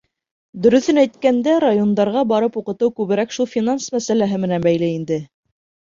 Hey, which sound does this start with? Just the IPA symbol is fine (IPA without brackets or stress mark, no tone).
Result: d̪